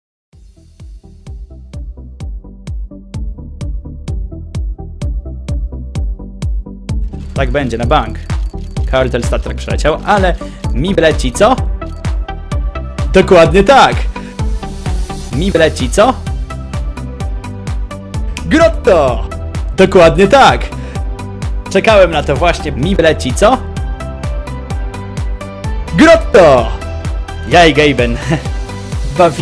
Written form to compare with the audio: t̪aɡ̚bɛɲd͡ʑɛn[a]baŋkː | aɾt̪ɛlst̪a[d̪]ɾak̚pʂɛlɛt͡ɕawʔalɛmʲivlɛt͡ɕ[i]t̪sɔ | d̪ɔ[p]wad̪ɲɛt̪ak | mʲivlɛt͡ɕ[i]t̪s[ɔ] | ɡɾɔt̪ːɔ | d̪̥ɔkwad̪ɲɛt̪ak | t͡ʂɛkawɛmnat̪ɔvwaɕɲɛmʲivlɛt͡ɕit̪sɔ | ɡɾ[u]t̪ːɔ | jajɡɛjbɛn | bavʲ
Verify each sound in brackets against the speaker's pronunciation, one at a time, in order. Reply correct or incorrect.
correct, incorrect, correct, incorrect, correct, correct, incorrect

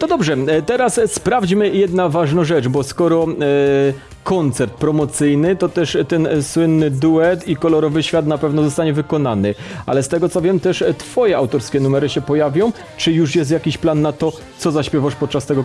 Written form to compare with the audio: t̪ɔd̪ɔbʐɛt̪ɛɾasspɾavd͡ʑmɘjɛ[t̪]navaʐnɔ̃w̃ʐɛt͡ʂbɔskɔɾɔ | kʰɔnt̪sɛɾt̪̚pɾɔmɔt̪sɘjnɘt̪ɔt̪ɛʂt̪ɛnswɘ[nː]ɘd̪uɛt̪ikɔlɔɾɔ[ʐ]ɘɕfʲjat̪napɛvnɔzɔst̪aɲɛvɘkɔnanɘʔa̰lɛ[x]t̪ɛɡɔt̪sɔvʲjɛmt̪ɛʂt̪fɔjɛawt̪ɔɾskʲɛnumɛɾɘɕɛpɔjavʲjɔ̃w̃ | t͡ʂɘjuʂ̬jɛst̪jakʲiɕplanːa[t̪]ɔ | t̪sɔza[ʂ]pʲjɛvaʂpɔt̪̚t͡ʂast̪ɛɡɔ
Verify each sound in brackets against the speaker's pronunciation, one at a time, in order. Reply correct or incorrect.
incorrect, correct, incorrect, incorrect, correct, incorrect

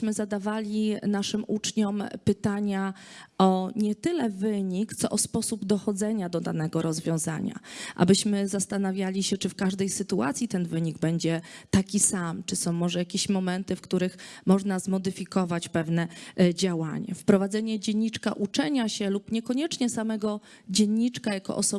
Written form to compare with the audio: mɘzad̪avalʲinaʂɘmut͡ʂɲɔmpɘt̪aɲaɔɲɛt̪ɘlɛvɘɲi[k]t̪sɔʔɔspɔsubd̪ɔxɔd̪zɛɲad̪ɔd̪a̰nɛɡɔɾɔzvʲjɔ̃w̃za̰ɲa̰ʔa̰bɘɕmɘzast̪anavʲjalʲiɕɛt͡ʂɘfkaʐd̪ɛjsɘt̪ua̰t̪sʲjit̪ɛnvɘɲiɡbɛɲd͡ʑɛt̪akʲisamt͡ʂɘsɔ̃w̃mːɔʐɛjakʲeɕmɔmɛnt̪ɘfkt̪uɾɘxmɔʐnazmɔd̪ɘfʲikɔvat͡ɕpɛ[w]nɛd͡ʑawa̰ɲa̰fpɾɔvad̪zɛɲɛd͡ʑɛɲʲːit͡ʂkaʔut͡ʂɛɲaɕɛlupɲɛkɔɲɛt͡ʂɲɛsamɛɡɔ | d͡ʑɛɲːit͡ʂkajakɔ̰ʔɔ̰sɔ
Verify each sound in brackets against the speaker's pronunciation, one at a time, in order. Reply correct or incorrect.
correct, incorrect

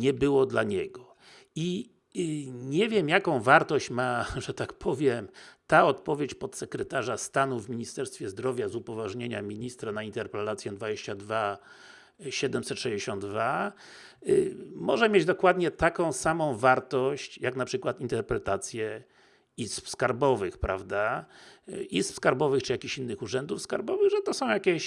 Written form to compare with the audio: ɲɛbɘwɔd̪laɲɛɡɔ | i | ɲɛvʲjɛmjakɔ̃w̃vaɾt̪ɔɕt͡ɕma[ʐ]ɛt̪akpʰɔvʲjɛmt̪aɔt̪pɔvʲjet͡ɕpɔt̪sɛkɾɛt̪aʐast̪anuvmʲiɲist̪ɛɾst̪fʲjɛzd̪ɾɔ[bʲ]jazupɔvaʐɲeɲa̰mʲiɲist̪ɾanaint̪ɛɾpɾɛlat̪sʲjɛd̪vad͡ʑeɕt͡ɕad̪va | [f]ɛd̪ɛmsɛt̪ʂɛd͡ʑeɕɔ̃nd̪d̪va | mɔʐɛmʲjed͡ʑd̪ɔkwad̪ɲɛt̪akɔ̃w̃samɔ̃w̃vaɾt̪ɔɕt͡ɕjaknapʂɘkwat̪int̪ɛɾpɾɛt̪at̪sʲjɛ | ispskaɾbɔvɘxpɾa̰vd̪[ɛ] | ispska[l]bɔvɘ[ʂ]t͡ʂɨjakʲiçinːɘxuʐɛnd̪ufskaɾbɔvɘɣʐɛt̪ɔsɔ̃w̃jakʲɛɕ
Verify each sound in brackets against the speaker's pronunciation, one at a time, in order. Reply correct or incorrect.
correct, incorrect, incorrect, incorrect, incorrect, incorrect

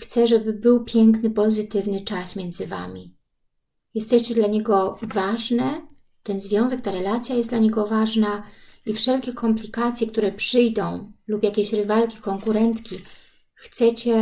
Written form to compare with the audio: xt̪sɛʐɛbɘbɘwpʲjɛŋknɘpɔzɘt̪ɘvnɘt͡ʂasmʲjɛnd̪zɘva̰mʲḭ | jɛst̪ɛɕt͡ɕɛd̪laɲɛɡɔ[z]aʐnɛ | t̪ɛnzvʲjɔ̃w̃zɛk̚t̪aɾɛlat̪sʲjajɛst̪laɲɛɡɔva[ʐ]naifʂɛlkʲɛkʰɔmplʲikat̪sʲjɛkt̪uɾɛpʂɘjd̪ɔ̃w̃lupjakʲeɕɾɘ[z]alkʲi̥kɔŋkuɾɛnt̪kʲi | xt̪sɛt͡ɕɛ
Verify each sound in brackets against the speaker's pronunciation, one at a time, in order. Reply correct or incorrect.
incorrect, correct, incorrect

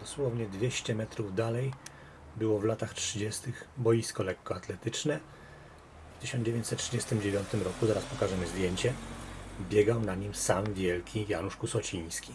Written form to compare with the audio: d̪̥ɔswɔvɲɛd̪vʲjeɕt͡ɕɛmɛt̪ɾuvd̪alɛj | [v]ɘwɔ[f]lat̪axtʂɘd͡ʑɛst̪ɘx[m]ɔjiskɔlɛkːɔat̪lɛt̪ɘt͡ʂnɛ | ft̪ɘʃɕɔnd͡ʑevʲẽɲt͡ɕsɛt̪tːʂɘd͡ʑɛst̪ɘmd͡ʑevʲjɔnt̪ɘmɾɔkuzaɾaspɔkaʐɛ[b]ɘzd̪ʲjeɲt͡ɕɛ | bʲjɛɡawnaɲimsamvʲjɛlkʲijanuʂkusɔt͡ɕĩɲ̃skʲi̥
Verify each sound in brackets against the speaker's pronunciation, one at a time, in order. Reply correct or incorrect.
incorrect, incorrect, incorrect, incorrect

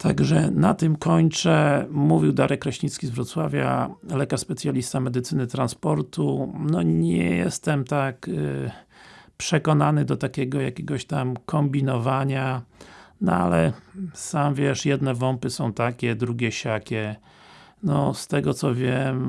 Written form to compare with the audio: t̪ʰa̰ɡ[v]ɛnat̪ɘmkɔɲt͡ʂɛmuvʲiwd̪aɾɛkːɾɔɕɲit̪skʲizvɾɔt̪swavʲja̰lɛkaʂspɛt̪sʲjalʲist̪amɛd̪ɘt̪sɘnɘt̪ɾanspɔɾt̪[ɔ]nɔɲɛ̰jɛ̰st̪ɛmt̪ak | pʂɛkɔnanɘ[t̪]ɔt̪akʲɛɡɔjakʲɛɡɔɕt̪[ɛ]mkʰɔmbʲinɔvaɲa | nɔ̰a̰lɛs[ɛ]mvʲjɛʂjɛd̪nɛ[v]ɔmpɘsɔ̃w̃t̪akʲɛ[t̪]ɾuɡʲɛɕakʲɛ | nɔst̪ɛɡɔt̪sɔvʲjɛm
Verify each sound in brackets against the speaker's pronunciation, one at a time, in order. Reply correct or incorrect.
incorrect, incorrect, incorrect, incorrect, incorrect, correct, incorrect

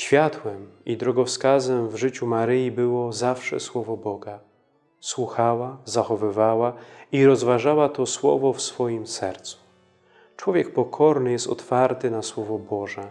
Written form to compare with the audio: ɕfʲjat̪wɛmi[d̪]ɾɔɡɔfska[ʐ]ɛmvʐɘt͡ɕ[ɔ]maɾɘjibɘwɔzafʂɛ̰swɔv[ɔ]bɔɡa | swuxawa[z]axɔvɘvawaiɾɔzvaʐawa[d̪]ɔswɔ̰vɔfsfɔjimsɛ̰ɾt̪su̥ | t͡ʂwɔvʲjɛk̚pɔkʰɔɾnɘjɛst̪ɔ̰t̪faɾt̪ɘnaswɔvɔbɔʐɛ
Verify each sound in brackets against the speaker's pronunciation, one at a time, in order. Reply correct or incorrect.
correct, incorrect, incorrect, correct, correct, incorrect

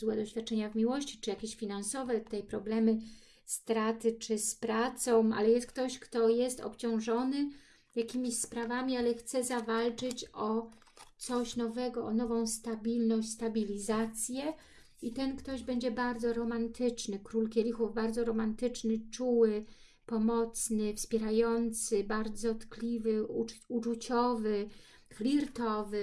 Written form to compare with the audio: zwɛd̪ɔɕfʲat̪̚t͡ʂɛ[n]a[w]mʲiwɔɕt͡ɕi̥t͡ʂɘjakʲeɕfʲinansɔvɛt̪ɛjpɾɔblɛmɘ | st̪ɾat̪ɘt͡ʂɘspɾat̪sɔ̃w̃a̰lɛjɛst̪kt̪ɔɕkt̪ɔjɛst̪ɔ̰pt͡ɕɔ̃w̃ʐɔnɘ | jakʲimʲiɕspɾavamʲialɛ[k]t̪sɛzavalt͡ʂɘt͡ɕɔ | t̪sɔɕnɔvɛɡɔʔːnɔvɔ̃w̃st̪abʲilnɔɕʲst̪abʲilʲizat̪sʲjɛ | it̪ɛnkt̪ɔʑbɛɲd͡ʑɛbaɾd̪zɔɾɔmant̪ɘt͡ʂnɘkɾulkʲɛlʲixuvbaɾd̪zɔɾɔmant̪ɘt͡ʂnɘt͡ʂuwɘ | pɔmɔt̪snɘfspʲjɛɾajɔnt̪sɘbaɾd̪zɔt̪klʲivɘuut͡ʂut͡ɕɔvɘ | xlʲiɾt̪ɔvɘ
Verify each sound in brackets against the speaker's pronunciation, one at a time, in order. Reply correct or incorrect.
incorrect, incorrect, incorrect

